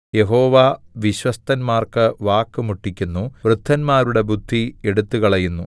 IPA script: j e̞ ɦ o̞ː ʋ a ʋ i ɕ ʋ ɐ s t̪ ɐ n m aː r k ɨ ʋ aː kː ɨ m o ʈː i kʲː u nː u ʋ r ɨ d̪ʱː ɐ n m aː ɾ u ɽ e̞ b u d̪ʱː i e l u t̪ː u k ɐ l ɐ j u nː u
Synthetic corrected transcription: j e̞ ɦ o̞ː ʋ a ʋ i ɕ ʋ ɐ s t̪ ɐ n m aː r k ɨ ʋ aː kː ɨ m u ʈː i kʲː u nː u ʋ r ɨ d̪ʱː ɐ n m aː ɾ u ɽ e̞ b u d̪ʱː i e ɽ u t̪ː u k ɐ ɭ ɐ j u nː u

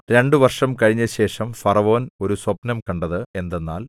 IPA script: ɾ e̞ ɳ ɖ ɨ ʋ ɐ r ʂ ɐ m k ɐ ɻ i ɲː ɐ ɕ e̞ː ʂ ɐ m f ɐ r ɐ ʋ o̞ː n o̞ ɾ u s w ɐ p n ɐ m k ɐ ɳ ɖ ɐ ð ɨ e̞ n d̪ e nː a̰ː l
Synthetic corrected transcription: ɾ e̞ ɳ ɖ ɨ ʋ ɐ r ʂ ɐ m k ɐ ɻ i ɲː ɐ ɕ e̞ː ʂ ɐ m f ɐ r ɐ ʋ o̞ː n o̞ ɾ u s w ɐ p n ɐ m k ɐ ɳ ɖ ɐ ð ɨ e̞ n d̪ e nː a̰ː l

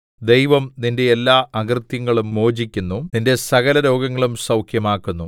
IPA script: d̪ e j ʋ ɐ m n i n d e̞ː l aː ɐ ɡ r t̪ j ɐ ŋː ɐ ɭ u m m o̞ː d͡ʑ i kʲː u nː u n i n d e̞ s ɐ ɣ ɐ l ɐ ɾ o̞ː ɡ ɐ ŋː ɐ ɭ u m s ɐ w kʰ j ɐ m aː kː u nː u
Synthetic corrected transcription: d̪ e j ʋ ɐ m n i n d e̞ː lː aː ɐ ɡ r t̪ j ɐ ŋː ɐ ɭ u m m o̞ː d͡ʑ i kʲː u nː u n i n d e̞ s ɐ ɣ ɐ l ɐ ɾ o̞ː ɡ ɐ ŋː ɐ ɭ u m s ɐ w kʰ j ɐ m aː kː u nː u

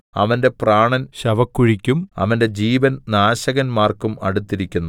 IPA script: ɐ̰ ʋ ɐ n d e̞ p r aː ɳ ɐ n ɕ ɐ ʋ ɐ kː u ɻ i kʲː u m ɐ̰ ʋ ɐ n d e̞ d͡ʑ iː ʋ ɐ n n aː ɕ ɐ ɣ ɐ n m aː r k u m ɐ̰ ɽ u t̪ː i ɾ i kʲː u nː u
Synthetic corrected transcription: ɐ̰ ʋ ɐ n d e̞ p r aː ɳ ɐ n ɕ ɐ ʋ ɐ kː u ɻ i kʲː u m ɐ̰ ʋ ɐ n d e̞ d͡ʑ iː ʋ ɐ n n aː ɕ ɐ ɣ ɐ n m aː r k u m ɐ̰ ɽ u t̪ː i ɾ i kʲː u nː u

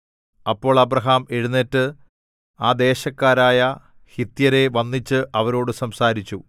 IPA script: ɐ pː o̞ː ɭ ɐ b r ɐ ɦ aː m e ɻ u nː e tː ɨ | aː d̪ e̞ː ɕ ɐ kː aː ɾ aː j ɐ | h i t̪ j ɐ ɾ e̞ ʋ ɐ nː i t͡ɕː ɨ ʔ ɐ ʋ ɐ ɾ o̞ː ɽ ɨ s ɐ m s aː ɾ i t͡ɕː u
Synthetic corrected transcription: ɐ pː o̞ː ɭ ɐ b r ɐ ɦ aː m e ɻ u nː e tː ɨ | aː d̪ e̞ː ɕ ɐ kː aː ɾ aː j ɐ | h i t̪ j ɐ ɾ e̞ ʋ ɐ nː i t͡ɕː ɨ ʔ ɐ ʋ ɐ ɾ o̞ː ɽ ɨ s ɐ m s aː ɾ i t͡ɕː u

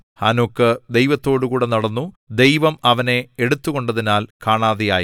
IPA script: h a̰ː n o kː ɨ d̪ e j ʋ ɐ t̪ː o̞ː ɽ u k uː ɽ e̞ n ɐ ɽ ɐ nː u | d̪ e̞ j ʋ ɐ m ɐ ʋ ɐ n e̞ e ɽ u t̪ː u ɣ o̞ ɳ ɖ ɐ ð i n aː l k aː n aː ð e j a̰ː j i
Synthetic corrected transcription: h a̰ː n o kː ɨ d̪ e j ʋ ɐ t̪ː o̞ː ɽ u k uː ɽ e̞ n ɐ ɽ ɐ nː u | d̪ e̞ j ʋ ɐ m ɐ ʋ ɐ n e̞ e ɽ u t̪ː u ɣ o̞ ɳ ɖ ɐ ð i n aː l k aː ɳ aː ð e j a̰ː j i

